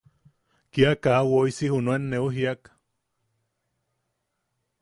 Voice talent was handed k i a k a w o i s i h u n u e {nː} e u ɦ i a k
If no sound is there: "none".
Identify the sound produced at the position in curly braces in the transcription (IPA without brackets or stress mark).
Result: nː